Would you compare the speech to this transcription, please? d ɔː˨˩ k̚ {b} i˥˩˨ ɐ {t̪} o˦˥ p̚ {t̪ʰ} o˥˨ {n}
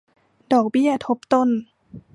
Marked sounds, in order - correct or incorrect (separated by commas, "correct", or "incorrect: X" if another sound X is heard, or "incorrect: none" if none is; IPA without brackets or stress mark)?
correct, incorrect: t̪ʰ, incorrect: t̪, correct